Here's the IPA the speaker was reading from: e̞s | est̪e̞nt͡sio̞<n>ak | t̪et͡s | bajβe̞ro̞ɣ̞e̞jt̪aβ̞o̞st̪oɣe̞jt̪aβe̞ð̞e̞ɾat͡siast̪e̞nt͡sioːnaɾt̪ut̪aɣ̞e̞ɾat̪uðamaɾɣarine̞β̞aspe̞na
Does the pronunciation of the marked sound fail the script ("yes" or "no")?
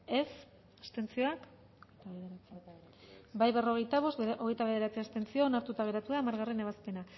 yes